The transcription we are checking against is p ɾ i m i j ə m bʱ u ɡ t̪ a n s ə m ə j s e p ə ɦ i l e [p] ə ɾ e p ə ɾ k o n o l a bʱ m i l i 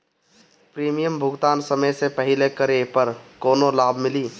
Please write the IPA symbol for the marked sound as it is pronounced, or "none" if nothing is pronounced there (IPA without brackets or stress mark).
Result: k